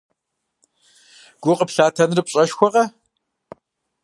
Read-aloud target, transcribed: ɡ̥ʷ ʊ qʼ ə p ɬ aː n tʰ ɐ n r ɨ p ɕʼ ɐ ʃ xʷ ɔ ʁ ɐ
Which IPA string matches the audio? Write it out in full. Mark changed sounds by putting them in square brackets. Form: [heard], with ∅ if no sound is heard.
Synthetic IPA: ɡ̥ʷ ʊ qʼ ə p ɬ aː [∅] tʰ ɐ n r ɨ p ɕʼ ɐ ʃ xʷ ɔ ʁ ɐ